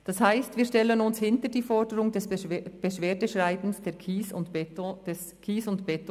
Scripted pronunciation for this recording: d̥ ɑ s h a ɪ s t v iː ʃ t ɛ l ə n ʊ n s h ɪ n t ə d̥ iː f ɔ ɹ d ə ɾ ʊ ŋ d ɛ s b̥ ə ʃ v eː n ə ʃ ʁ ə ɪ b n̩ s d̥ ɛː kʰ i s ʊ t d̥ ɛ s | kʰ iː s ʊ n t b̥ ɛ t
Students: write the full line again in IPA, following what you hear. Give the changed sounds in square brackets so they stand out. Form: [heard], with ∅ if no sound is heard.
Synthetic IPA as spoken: d̥ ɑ s h a ɪ s t v iː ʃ t ɛ l ə n ʊ n s h ɪ n t ə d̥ iː f ɔ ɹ d ə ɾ ʊ ŋ d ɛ s b̥ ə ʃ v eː [d] ə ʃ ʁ [a] ɪ b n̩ s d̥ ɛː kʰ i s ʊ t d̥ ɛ s | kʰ iː s ʊ n t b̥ ɛ t